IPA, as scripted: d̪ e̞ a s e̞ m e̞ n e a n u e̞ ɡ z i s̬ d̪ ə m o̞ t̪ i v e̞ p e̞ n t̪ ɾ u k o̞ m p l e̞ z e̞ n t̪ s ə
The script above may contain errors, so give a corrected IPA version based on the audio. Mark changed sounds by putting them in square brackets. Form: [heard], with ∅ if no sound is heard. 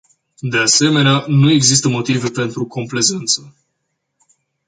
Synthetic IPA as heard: d̪ e̞ a s e̞ m e̞ n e a n u e̞ ɡ z i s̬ [t̪] ə m o̞ t̪ i v e̞ p e̞ n t̪ ɾ u k o̞ m p l e̞ z e̞ n t̪ s ə

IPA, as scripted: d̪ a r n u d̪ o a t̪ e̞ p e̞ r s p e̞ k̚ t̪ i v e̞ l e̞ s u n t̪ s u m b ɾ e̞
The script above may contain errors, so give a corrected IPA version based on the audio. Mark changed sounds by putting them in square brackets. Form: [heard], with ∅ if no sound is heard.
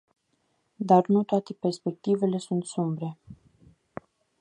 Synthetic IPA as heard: d̪ a r n u [t̪] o a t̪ e̞ p e̞ r s p e̞ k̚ t̪ i v e̞ l e̞ s u n t̪ s u m b ɾ e̞

